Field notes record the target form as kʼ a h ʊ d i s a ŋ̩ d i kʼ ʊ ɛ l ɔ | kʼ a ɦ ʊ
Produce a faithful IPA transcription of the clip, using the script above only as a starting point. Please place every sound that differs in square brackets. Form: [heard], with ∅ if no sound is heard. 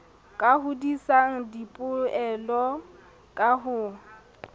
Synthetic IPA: kʼ a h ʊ d i s a ŋ̩ d i [pʼ] ʊ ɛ l ɔ | kʼ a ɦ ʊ